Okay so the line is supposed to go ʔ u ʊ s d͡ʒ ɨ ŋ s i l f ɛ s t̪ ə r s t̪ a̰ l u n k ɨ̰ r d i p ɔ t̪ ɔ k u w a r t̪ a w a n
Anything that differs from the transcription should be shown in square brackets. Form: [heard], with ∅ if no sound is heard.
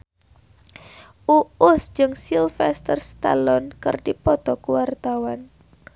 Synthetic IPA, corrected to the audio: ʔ u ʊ s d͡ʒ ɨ ŋ s i l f ɛ s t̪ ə r s t̪ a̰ l [ɔ] n k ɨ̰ r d i p ɔ t̪ ɔ k u w a r t̪ a w a n